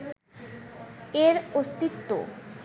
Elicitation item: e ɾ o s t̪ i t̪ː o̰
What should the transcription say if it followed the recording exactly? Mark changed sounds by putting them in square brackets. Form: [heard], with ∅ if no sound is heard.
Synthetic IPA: e ɾ o s t̪ i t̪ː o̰

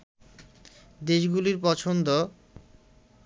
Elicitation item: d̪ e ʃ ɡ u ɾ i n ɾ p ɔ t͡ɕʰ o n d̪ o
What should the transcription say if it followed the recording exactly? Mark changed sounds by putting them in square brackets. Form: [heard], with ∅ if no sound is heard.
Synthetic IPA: d̪ e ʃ ɡ u [l] i [∅] ɾ p ɔ t͡ɕʰ o n d̪ o

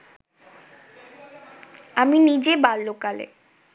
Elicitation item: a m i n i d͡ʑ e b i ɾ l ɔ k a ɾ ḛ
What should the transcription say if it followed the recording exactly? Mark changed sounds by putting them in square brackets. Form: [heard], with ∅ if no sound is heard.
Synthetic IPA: a m i n i d͡ʑ e b [a] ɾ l [o] k a [l] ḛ

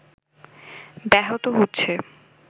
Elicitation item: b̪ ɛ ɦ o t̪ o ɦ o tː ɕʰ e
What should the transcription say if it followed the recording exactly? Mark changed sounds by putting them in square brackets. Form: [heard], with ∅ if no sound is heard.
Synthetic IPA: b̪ ɛ ɦ o t̪ o ɦ o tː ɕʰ e

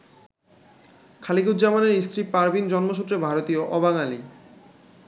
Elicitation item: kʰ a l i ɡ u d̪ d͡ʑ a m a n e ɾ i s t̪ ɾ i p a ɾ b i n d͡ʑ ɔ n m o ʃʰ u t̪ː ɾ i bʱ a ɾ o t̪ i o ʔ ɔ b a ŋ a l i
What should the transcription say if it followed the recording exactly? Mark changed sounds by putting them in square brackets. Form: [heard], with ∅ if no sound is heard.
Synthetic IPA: kʰ a l i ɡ u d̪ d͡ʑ a m a n e ɾ i s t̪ ɾ i p a ɾ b i n d͡ʑ ɔ n m o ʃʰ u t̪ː ɾ [e] bʱ a ɾ o t̪ i o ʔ ɔ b a ŋ a l i

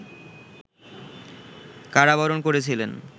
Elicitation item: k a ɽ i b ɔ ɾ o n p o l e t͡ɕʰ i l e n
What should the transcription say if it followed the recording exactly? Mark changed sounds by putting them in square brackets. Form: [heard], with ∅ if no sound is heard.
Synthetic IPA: k a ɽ [a] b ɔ ɾ o n [k] o [ɾ] e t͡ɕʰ i l e n

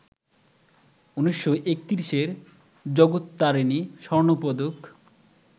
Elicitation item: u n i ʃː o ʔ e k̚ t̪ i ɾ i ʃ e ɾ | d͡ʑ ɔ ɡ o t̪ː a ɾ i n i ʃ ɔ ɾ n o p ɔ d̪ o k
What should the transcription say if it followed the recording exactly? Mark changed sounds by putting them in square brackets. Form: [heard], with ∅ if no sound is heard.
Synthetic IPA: u n i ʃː o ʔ e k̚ t̪ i ɾ i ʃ e ɾ | d͡ʑ ɔ ɡ o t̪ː a ɾ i n i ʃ ɔ ɾ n o p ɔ d̪ o k

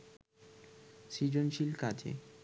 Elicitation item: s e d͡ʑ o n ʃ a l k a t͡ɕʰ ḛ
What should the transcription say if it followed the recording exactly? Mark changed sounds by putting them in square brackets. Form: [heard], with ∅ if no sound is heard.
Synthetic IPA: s [i] d͡ʑ o n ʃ [i] l k a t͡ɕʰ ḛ

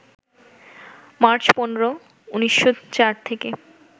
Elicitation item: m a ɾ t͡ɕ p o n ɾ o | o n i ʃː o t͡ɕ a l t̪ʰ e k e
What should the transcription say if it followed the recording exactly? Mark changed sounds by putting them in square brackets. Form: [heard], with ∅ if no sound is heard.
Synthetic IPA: m a ɾ t͡ɕ p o n ɾ o | [u] n i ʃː o t͡ɕ a [ɾ] t̪ʰ e k e

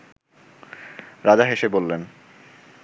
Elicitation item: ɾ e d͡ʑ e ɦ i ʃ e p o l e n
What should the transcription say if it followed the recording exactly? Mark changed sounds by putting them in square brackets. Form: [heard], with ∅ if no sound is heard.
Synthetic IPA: ɾ [a] d͡ʑ [a] ɦ [e] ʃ e [b] o [lː] e n

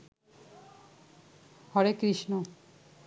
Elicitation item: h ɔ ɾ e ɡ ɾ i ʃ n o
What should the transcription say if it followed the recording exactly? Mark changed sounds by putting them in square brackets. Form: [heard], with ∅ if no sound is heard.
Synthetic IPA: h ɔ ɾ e [k] ɾ i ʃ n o

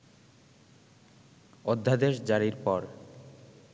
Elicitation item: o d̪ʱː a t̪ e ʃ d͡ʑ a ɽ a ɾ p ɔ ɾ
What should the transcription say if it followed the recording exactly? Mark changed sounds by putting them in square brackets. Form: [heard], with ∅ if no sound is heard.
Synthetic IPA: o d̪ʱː a [d̪] e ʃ d͡ʑ a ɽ [i] ɾ p ɔ ɾ

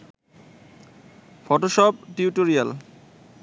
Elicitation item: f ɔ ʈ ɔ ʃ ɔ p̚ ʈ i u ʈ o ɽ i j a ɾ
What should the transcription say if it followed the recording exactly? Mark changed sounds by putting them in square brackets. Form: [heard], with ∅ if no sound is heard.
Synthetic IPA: f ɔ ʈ [o] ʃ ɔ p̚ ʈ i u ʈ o [ɾ] i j a [l]

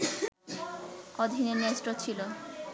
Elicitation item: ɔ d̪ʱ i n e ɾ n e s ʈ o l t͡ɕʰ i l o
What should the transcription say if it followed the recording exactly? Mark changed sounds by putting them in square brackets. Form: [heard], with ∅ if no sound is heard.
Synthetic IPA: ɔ d̪ʱ i n e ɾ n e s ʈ o [∅] t͡ɕʰ i l o

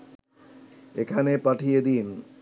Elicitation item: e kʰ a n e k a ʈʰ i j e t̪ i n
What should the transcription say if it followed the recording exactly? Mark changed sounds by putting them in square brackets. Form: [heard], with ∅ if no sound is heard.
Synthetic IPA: e kʰ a n e [p] a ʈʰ i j e [d̪] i n

